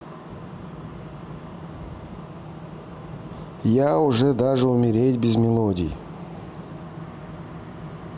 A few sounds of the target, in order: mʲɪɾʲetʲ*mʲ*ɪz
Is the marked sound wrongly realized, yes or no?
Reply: yes